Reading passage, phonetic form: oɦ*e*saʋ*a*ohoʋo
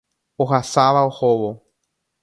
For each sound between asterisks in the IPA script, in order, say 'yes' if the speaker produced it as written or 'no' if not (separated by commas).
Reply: no, yes